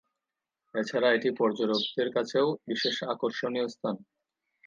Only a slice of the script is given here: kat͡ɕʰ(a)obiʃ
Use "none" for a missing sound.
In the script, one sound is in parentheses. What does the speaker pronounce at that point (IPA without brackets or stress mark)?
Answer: e